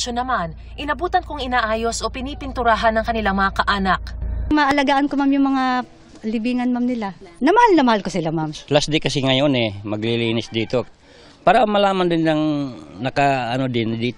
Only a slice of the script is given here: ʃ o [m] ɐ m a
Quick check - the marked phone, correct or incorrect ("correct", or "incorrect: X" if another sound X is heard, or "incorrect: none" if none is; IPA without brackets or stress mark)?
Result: incorrect: n